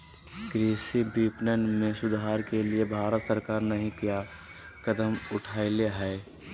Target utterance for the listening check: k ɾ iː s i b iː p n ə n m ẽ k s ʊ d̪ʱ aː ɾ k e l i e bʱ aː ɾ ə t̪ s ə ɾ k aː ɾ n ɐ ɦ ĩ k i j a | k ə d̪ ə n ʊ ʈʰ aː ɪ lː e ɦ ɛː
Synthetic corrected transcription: k ɾ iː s i b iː p n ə n m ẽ s ʊ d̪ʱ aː ɾ k e l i e bʱ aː ɾ ə t̪ s ə ɾ k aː ɾ n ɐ ɦ ĩ k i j a | k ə d̪ ə m ʊ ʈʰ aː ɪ l e ɦ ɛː